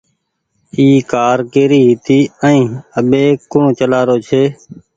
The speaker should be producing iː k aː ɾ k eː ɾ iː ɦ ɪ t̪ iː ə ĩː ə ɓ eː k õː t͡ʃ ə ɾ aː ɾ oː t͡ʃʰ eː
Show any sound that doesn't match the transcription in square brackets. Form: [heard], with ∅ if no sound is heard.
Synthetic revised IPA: iː k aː ɾ k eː ɾ iː ɦ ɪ t̪ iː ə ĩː ə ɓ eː k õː t͡ʃ ə [l] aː ɾ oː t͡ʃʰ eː